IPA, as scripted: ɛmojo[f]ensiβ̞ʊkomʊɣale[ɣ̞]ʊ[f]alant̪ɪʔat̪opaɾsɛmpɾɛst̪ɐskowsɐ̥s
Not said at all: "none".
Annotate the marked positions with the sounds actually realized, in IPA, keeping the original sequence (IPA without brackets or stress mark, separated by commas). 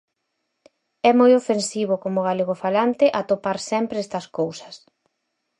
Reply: f, ɣ̞, f